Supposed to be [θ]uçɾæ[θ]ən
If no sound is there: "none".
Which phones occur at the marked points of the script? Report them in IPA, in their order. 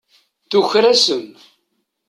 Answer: θ, s

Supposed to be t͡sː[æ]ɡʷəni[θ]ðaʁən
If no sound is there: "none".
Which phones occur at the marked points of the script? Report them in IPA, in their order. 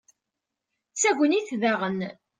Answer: æ, θ

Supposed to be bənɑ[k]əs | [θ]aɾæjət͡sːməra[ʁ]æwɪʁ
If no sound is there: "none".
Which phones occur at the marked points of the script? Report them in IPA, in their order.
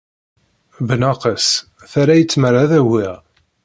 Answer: q, θ, ð

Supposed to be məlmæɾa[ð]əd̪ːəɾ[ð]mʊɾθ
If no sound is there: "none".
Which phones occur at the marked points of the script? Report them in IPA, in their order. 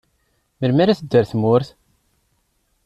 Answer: θ, θ

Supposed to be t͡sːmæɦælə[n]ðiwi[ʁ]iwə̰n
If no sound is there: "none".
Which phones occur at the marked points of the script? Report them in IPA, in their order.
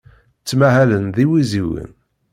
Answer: n, z

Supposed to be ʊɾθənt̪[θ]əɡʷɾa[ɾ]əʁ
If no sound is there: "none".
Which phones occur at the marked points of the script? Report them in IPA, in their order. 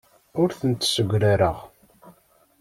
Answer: s, ɾ

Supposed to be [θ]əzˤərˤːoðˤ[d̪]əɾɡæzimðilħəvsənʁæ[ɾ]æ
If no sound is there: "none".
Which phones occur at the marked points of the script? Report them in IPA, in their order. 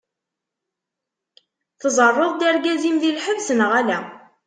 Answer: θ, d̪, l

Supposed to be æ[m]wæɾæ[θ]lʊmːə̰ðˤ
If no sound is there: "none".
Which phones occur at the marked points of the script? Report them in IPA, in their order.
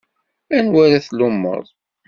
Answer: n, θ

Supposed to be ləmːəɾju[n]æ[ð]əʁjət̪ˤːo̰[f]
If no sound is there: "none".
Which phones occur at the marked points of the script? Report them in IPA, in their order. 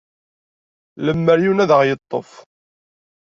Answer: n, ð, f

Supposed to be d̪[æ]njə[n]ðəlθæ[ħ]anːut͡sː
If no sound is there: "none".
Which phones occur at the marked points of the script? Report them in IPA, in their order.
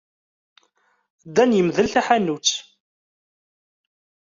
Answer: æ, m, ħ

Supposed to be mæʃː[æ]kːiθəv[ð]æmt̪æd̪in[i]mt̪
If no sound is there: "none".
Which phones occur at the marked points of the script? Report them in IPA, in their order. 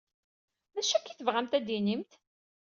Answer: æ, ʁ, i

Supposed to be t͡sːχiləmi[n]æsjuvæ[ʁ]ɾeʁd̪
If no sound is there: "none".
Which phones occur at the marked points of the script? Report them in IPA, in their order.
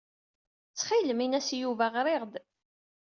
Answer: n, ʁ

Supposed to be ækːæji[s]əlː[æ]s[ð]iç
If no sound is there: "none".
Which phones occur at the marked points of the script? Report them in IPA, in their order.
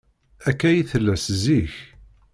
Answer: θ, æ, z

